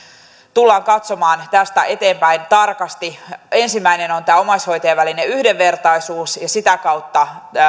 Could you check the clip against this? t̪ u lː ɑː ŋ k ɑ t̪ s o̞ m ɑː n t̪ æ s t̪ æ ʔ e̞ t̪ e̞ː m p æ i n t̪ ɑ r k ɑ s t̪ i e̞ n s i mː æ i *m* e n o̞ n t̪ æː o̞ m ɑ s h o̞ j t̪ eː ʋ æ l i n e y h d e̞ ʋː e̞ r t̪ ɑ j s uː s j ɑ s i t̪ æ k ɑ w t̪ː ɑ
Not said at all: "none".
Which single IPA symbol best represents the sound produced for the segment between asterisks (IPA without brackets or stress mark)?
n